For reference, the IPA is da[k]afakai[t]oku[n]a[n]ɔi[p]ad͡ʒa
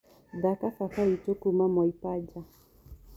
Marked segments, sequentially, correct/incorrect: correct, correct, incorrect: m, incorrect: m, correct

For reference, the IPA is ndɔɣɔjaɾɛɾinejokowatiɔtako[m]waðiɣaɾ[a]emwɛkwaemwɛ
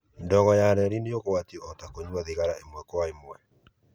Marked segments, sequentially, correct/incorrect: incorrect: ɲ, correct

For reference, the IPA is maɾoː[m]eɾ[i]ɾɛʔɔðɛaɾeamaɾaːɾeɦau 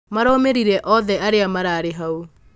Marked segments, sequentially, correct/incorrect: correct, correct

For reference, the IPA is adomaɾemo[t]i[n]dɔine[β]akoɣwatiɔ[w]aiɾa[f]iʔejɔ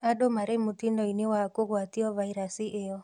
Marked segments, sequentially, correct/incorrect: correct, correct, incorrect: w, incorrect: v, incorrect: s

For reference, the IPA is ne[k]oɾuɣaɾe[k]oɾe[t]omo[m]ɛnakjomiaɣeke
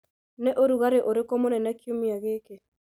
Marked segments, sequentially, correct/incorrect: incorrect: ʔ, incorrect: ʔ, incorrect: k, incorrect: n

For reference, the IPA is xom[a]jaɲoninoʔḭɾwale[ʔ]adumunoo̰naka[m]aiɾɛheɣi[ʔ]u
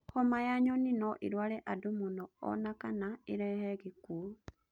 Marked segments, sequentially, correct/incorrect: correct, correct, incorrect: n, incorrect: k

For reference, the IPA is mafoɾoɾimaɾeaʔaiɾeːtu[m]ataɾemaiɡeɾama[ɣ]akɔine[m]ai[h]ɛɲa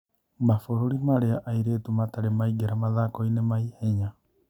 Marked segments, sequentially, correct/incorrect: correct, incorrect: ð, correct, correct

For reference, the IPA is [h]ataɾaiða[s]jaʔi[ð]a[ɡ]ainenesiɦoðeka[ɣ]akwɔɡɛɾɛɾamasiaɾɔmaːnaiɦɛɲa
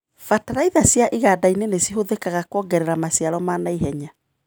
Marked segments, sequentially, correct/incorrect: incorrect: f, correct, incorrect: ɣ, incorrect: d, correct

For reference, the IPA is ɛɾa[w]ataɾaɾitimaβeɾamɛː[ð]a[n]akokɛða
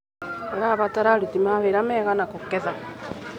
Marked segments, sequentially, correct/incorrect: incorrect: β, incorrect: ɣ, correct

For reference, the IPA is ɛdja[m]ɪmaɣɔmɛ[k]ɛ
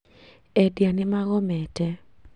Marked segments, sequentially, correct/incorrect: incorrect: n, incorrect: t

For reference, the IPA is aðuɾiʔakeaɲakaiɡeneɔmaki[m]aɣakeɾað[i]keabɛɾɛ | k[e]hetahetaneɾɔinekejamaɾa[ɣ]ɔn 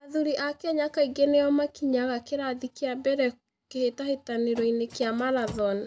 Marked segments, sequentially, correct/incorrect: incorrect: ɲ, correct, correct, incorrect: ð

